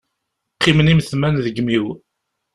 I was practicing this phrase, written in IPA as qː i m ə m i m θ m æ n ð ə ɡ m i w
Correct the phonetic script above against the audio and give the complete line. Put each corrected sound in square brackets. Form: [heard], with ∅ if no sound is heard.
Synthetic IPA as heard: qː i m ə [n] i m θ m æ n ð ə ɡ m i w